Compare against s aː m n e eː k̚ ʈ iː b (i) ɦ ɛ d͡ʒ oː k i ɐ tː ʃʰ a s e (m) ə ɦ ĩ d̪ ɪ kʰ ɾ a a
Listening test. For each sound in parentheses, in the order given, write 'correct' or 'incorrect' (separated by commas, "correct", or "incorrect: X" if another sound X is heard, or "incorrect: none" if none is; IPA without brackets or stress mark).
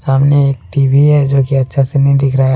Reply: correct, incorrect: n